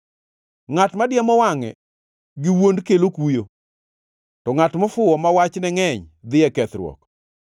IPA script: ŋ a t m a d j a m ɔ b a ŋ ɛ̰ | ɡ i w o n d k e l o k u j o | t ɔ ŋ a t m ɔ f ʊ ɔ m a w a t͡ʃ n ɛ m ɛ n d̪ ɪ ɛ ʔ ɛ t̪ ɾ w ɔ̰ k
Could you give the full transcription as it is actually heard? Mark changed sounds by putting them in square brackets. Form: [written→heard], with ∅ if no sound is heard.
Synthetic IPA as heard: ŋ a t m a d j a m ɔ [b→w] a ŋ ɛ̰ | ɡ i w o n d k e l o k u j o | t ɔ ŋ a t m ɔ f ʊ ɔ m a w a t͡ʃ n ɛ [m→ŋ] ɛ [n→ɲ] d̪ ɪ ɛ [ʔ→k] ɛ t̪ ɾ w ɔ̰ k

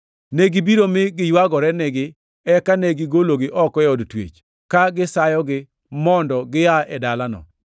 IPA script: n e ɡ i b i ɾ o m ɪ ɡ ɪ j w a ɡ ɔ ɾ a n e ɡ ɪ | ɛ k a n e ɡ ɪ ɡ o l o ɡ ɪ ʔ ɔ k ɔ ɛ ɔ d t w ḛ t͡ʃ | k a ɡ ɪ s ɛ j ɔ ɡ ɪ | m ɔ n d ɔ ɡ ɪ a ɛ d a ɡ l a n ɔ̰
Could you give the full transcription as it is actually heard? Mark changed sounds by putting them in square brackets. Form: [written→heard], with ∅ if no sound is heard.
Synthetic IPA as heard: n e ɡ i b i ɾ o m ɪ ɡ ɪ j w a ɡ ɔ ɾ [a→ɛ] n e ɡ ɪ | ɛ k a n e ɡ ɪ ɡ o l o ɡ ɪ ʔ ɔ k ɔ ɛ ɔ d t w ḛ t͡ʃ | k a ɡ ɪ s [ɛ→a] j ɔ ɡ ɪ | m ɔ n d ɔ ɡ ɪ a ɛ d a [ɡ→∅] l a n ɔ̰

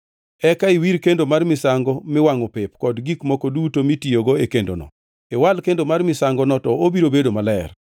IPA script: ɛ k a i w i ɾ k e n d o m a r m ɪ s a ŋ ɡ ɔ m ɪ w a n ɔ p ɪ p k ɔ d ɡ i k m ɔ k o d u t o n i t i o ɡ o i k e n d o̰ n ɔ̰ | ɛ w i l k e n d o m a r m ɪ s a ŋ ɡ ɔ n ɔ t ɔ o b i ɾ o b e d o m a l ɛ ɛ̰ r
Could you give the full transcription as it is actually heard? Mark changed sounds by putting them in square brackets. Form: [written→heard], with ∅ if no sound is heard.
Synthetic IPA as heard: ɛ k a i w i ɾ k e n d o m a r m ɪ s a ŋ ɡ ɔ m ɪ w a [n→ŋ] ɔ p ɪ p k ɔ d ɡ i k m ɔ k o d u t o [n→m] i t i o ɡ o [i→e] k e n d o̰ n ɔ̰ | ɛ w [i→a] l k e n d o m a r m ɪ s a ŋ ɡ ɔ n ɔ t ɔ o b i ɾ o b e d o m a l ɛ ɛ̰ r

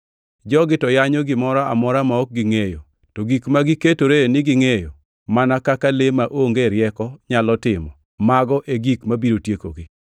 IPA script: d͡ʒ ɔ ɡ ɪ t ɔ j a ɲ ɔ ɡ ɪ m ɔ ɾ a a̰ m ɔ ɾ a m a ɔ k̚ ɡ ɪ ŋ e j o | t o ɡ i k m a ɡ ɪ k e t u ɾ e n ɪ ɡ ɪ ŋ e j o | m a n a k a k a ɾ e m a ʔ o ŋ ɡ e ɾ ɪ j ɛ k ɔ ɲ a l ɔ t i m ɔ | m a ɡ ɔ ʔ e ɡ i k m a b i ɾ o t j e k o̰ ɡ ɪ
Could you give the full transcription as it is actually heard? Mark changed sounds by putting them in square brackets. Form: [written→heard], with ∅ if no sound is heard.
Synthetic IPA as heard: d͡ʒ ɔ ɡ ɪ t ɔ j a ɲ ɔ ɡ ɪ m ɔ ɾ a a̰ m ɔ ɾ a m a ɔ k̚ ɡ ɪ ŋ e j o | t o ɡ i k m a ɡ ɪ k e t [u→o] ɾ e n ɪ ɡ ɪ ŋ e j o | m a n a k a k a [ɾ→l] e m a ʔ o ŋ ɡ e ɾ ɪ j ɛ k ɔ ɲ a l ɔ t [i→ɪ] m ɔ | m a ɡ ɔ ʔ e ɡ i k m a b i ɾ o t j e k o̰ ɡ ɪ

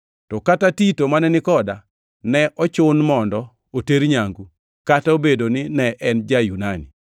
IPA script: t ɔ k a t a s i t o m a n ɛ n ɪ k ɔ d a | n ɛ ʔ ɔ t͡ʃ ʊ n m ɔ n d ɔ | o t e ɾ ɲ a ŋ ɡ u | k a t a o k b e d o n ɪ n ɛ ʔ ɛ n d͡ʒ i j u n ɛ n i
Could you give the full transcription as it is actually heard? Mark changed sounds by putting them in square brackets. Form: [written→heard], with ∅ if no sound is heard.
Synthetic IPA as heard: t ɔ k a t a [s→t] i t o m a n ɛ n ɪ k ɔ d a | n ɛ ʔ ɔ t͡ʃ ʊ n m ɔ n d ɔ | o t e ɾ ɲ a ŋ ɡ u | k a t a o [k→∅] b e d o n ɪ n ɛ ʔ ɛ n d͡ʒ [i→a] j u n [ɛ→a] n i

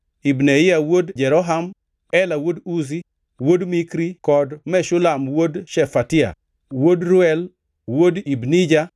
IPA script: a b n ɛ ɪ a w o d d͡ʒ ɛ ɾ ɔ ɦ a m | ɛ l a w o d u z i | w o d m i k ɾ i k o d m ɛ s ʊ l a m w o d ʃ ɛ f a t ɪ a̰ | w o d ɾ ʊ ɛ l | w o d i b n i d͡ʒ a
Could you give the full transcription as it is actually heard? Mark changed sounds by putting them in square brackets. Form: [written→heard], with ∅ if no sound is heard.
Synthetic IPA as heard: [a→i] b n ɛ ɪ a w o d d͡ʒ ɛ ɾ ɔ ɦ a m | ɛ l a w o d u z i | w o d m i k ɾ i k [o→ɔ] d m ɛ [s→ʃ] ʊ l a m w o d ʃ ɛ f a t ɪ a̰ | w o d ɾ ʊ ɛ l | w o d i b n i d͡ʒ a

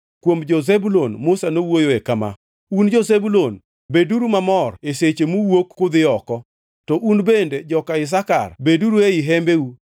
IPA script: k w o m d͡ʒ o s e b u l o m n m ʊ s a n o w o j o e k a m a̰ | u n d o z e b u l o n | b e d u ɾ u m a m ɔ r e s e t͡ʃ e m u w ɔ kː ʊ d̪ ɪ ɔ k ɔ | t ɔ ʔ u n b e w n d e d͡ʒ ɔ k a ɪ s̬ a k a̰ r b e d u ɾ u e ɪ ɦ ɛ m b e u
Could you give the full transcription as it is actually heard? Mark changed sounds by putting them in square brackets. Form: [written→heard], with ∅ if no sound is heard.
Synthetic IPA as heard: k w o m d͡ʒ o [s→z] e b u l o [m→∅] n m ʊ s a n o w o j o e k a m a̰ | u n [d→d͡ʒ] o z e b u l o n | b e d u ɾ u m a m ɔ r e s e t͡ʃ e m u w [ɔ→o] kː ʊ d̪ ɪ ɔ k ɔ | t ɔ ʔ u n b e [w→∅] n d e d͡ʒ ɔ k a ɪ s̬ a k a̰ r b e d u ɾ u e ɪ ɦ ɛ m b e u

